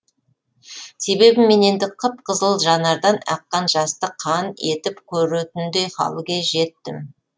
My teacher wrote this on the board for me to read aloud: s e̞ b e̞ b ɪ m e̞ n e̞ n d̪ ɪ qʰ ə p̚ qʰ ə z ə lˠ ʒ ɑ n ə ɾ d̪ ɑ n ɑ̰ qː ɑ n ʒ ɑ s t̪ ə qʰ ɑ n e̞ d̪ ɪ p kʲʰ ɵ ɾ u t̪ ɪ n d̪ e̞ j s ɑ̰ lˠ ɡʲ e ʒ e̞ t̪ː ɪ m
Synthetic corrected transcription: s e̞ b e̞ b ɪ m e̞ n e̞ n d̪ ɪ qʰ ə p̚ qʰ ə z ə lˠ ʒ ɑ n ɑ ɾ d̪ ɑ n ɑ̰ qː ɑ n ʒ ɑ s t̪ ə qʰ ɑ n e̞ t̪ ɪ p kʲʰ ɵ ɾ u t̪ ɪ n d̪ e̞ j χ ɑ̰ lˠ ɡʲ e ʒ e̞ t̪ː ɪ m